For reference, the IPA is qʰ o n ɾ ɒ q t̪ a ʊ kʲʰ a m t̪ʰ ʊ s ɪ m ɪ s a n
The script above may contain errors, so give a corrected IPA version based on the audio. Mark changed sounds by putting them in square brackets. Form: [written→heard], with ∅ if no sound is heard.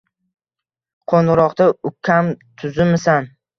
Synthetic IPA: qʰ o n ɾ ɒ q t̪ a ʊ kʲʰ a m t̪ʰ ʊ [s→z] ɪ m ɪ s a n